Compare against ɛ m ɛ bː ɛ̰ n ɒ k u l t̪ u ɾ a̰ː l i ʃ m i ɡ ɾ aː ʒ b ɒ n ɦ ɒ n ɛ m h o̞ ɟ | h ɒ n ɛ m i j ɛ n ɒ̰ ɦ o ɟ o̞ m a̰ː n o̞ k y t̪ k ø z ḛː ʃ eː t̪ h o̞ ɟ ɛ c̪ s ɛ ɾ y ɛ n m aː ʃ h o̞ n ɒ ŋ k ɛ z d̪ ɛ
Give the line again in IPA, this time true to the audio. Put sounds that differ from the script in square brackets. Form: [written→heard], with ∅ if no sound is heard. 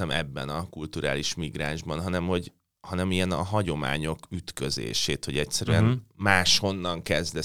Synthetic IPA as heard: ɛ m ɛ bː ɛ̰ n ɒ k u l t̪ u ɾ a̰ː l i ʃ m i ɡ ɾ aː ʒ b ɒ n ɦ ɒ n ɛ m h o̞ ɟ | h ɒ n ɛ m i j ɛ n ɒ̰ ɦ [o→ɒ] ɟ o̞ m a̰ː [n→ɲ] o̞ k y t̪ k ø z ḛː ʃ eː t̪ h o̞ ɟ ɛ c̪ s ɛ ɾ y ɛ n m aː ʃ h o̞ [n→nː] ɒ ŋ k ɛ z d̪ ɛ